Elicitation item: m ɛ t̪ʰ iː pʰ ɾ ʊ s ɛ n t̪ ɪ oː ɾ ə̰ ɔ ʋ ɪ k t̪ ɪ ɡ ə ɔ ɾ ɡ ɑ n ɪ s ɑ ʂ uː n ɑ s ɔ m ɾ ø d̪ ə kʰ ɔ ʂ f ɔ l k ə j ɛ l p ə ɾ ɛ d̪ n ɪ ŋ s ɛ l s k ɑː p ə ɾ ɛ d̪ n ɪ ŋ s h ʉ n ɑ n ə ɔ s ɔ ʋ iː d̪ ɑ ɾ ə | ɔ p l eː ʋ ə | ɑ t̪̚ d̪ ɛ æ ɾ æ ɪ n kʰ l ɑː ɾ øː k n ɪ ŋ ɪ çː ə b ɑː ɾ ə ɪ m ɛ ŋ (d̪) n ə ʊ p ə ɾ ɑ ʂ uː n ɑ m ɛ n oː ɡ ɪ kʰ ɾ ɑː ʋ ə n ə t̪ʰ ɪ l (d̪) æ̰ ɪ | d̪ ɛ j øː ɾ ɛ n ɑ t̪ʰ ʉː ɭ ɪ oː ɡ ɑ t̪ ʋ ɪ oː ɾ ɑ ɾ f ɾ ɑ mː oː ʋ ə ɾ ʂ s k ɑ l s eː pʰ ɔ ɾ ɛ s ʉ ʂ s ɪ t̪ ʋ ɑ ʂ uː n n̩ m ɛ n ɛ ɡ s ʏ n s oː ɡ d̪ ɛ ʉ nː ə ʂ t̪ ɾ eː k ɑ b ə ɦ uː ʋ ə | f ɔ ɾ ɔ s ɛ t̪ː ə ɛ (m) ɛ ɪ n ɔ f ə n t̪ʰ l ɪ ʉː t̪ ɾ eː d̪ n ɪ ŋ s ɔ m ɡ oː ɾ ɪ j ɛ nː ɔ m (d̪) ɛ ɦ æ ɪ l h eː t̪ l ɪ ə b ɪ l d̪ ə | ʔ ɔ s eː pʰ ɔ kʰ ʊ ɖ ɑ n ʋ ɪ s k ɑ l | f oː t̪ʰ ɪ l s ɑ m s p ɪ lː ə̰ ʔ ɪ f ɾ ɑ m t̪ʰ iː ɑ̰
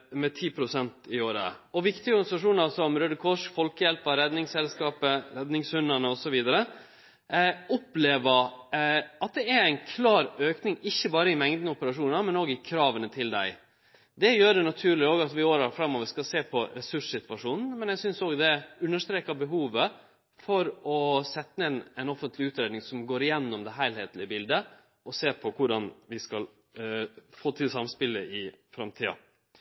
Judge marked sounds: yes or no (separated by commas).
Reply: yes, yes, no, yes